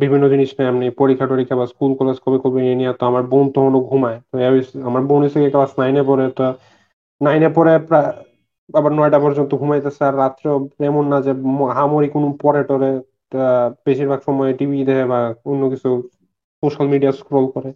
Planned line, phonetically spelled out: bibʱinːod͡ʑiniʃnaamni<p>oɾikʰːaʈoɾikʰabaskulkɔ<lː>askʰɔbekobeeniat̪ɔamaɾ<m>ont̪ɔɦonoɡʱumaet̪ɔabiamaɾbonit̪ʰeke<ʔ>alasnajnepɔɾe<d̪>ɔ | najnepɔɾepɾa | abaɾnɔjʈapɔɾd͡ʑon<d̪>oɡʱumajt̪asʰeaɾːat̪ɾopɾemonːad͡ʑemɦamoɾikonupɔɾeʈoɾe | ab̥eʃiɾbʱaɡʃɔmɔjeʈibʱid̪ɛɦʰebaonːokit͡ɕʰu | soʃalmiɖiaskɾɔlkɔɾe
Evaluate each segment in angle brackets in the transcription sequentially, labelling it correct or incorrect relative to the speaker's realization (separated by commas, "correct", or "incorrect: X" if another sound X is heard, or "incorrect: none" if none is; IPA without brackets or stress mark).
correct, incorrect: l, incorrect: b, incorrect: k, incorrect: t̪, incorrect: t̪